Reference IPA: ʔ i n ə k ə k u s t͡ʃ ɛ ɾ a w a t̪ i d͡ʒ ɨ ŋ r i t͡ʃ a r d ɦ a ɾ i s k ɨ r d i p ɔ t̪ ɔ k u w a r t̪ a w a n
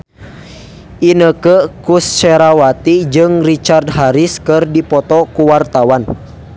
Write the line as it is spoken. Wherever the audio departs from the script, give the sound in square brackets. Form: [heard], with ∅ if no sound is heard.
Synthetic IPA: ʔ i n ə k ə k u s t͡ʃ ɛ ɾ a w a t̪ i d͡ʒ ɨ ŋ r i t͡ʃ a r d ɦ a ɾ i s k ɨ r d i p ɔ t̪ ɔ k u w a r t̪ a w a n

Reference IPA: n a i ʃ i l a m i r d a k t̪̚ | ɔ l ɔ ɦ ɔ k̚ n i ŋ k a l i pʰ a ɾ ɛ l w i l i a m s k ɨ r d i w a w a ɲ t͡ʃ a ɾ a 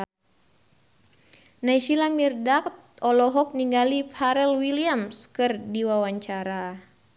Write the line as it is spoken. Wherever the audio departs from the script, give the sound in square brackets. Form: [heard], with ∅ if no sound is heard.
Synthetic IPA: n a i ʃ i l a m i r d a k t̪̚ | ɔ l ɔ ɦ ɔ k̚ n i ŋ [ɡ] a l i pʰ a ɾ ɛ l w i l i a m s k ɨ r d i w a w a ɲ t͡ʃ a ɾ a

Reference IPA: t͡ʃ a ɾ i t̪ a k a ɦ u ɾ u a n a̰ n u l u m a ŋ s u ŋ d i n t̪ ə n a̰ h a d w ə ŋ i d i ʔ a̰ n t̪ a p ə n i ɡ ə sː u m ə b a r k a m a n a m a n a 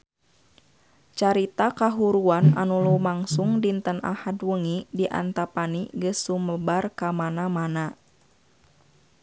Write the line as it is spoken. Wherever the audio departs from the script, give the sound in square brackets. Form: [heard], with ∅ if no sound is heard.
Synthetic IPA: t͡ʃ a ɾ i t̪ a k a ɦ u ɾ u a n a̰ n u l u m a ŋ s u ŋ d i n t̪ ə n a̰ h a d w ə ŋ i d i ʔ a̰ n t̪ a p [a] n i ɡ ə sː u m ə b a r k a m a n a m a n a

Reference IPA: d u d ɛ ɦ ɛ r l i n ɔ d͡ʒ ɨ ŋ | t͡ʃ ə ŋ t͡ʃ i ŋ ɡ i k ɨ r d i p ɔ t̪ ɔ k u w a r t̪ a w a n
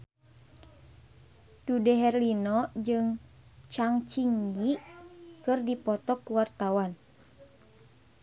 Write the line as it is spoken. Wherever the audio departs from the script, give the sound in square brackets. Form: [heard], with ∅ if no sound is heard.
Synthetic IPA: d u d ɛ ɦ ɛ r l i n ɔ d͡ʒ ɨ ŋ | t͡ʃ [a] ŋ t͡ʃ i ŋ ɡ i k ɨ r d i p ɔ t̪ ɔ k u w a r t̪ a w a n

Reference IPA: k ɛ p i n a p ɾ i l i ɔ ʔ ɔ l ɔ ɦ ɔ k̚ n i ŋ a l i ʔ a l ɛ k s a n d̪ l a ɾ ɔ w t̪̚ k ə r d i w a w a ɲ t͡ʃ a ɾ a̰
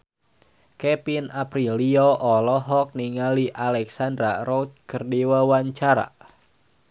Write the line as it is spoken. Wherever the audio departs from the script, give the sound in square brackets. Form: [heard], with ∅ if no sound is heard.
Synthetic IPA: k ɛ p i n a p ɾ i l i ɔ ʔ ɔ l ɔ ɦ ɔ k̚ n i ŋ a l i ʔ a l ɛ k s a n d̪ [ɾ] a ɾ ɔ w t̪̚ k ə r d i w a w a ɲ t͡ʃ a ɾ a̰

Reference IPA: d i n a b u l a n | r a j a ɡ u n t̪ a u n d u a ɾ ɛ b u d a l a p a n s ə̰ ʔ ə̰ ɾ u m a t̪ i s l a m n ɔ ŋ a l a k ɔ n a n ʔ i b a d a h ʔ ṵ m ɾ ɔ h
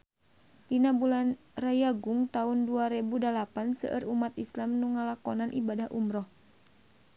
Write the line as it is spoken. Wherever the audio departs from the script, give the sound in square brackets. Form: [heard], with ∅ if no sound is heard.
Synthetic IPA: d i n a b u l a n | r a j a ɡ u [ŋ] t̪ a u n d u a ɾ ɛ b u d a l a p a n s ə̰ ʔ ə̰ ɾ u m a t̪ i s l a m n [u] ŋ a l a k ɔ n a n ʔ i b a d a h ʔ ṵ m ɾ ɔ h

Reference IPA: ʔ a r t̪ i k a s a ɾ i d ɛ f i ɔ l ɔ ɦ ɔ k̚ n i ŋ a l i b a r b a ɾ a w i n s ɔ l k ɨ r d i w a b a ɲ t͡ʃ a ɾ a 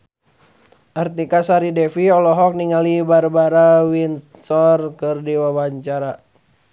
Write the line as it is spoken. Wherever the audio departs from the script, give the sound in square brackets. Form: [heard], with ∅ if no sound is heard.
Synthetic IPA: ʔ a r t̪ i k a s a ɾ i d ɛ f i ɔ l ɔ ɦ ɔ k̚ n i ŋ a l i b a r b a ɾ a w i n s ɔ [r] k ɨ r d i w a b a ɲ t͡ʃ a ɾ a

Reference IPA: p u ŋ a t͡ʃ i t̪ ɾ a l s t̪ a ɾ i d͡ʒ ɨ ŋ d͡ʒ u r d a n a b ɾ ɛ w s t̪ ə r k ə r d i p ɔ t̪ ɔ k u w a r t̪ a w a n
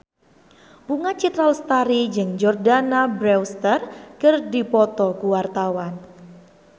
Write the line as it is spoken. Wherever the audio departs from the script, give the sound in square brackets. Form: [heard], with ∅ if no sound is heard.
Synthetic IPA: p u ŋ a t͡ʃ i t̪ ɾ a l s t̪ a ɾ i d͡ʒ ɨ ŋ d͡ʒ [ɔ] r d a n a b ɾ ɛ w s t̪ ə r k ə r d i p ɔ t̪ ɔ k u w a r t̪ a w a n

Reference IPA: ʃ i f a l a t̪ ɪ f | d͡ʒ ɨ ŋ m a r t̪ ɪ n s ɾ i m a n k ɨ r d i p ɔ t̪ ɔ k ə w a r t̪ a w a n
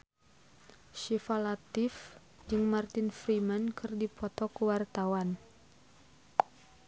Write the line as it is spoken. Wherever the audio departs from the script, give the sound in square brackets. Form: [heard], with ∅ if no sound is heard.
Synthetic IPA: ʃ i f a l a t̪ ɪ f | d͡ʒ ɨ ŋ m a r t̪ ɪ n [f] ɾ i m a n k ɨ r d i p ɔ t̪ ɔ k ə w a r t̪ a w a n

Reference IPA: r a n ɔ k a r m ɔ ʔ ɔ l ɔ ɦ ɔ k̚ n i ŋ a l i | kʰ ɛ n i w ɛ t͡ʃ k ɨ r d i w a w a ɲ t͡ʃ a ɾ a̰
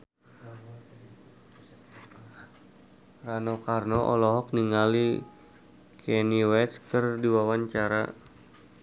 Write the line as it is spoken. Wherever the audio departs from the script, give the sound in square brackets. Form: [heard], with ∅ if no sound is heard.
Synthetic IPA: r a n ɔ k a r [n] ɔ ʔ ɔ l ɔ ɦ ɔ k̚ n i ŋ a l i | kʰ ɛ n i w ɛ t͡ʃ k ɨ r d i w a w a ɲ t͡ʃ a ɾ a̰

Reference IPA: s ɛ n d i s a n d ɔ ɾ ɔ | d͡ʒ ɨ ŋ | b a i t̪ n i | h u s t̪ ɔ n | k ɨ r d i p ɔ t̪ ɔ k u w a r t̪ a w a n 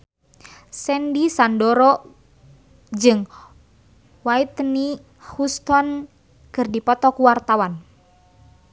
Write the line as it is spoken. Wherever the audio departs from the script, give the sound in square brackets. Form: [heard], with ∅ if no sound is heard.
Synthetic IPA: s ɛ n d i s a n d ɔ ɾ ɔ | d͡ʒ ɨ ŋ | [w] a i t̪ n i | h u s t̪ ɔ n | k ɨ r d i p ɔ t̪ ɔ k u w a r t̪ a w a n

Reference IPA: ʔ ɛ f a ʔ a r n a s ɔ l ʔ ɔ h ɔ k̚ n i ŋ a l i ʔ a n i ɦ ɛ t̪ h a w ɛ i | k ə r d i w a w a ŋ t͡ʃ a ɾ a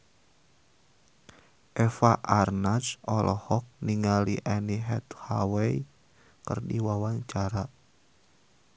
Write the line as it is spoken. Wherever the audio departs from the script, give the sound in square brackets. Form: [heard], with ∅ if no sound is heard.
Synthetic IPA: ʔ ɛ f a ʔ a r n a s ɔ l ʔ ɔ h ɔ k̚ n i ŋ a l i ʔ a n i ɦ ɛ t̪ h a w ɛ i | k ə r d i w a w a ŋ t͡ʃ a ɾ a

